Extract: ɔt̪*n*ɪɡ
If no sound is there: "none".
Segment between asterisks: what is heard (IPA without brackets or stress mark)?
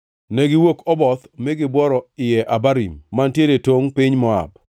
m